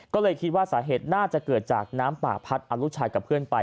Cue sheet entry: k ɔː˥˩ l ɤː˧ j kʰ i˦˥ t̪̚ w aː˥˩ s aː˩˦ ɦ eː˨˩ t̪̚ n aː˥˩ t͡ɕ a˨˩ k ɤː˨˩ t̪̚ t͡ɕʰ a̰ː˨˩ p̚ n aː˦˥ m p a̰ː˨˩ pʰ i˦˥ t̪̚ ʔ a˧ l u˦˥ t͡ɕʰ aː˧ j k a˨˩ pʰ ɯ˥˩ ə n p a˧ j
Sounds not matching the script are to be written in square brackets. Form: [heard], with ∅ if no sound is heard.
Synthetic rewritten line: k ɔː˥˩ l ɤː˧ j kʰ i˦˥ t̪̚ w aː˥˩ s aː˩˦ ɦ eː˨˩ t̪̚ n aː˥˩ t͡ɕ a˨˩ k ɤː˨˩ t̪̚ [t͡ɕ] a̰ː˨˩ [k̚] n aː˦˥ m p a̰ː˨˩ pʰ [a˦˥] t̪̚ ʔ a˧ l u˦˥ t͡ɕʰ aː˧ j k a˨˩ pʰ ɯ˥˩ ə n p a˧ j